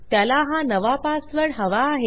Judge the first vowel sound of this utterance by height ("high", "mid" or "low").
low